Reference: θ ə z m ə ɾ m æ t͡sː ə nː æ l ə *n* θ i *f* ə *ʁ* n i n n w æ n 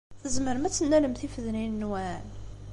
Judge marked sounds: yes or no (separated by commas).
no, yes, no